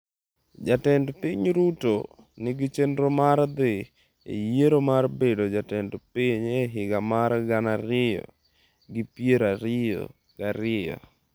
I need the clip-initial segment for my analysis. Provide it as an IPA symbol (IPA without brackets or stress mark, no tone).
d͡ʒ